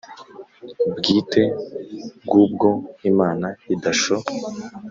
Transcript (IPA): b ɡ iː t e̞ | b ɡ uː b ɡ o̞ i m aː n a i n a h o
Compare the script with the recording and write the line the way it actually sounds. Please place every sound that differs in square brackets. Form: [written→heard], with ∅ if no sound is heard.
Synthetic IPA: b ɡ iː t e̞ | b ɡ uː b ɡ o̞ i m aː n a i [n→d] a [h→ʃ] o